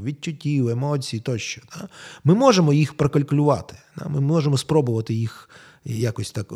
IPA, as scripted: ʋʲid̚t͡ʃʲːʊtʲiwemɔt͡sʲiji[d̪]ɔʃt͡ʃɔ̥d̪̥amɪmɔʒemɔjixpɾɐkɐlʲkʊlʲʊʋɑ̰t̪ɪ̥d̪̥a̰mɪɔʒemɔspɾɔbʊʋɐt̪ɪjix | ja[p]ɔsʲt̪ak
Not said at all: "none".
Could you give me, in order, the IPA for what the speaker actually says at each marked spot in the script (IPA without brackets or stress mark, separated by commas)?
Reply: t̪, k